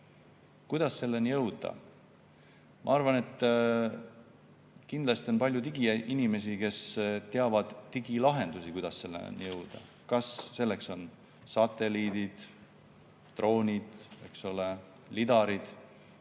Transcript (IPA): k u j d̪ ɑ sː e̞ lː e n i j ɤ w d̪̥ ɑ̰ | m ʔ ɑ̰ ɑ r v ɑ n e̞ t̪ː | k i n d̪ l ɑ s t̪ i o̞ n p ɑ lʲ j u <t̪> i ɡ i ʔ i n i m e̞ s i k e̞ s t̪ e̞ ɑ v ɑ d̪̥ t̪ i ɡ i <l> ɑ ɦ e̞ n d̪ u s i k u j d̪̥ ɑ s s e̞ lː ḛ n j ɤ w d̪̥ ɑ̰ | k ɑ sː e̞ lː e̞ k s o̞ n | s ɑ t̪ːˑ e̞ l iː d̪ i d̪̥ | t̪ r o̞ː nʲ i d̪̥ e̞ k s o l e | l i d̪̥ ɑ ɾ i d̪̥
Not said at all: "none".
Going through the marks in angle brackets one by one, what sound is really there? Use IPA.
t̪, l

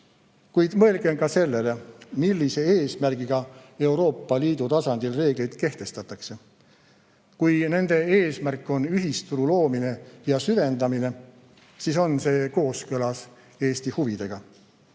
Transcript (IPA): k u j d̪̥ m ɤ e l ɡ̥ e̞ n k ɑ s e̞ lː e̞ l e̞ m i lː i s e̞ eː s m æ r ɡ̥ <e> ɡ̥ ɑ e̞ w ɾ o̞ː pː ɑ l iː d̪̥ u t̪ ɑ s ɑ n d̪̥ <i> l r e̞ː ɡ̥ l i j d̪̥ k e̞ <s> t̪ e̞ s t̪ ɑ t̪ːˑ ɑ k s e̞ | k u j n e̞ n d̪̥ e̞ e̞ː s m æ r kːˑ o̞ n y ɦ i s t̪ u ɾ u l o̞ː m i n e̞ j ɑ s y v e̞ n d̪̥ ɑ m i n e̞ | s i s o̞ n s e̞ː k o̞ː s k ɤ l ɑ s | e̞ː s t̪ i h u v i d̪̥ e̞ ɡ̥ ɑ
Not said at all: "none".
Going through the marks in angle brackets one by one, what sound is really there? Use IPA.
i, i, h

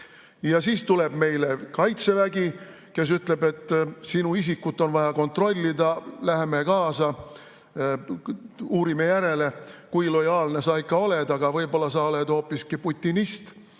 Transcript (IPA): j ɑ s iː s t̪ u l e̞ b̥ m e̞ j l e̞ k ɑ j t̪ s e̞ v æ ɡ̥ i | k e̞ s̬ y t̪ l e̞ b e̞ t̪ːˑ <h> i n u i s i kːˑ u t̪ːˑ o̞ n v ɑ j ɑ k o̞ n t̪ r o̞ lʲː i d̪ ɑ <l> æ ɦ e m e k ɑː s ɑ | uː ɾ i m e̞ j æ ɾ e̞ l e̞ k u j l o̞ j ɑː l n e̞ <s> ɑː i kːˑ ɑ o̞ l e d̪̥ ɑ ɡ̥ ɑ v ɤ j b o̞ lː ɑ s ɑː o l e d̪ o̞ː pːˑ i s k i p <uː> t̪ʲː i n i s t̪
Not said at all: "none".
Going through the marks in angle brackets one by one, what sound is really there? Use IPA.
s, l, s, u

